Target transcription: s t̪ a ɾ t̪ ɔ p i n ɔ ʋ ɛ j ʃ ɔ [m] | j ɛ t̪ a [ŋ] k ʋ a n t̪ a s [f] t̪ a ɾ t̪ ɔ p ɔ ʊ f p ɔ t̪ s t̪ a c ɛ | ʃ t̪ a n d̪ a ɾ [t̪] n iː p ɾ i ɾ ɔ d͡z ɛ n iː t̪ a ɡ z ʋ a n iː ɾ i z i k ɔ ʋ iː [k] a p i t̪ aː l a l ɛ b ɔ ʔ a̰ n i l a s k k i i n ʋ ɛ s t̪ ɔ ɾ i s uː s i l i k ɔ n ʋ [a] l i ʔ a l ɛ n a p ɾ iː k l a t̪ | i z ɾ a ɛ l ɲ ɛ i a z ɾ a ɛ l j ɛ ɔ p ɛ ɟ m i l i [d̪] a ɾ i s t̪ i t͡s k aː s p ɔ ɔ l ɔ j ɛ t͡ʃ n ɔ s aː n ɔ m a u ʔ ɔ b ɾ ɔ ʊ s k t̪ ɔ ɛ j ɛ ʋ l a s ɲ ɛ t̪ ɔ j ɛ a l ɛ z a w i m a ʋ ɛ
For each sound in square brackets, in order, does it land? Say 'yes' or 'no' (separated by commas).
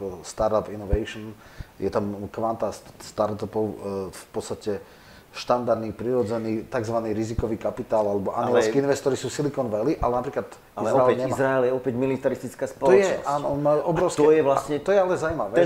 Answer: no, no, no, no, yes, no, no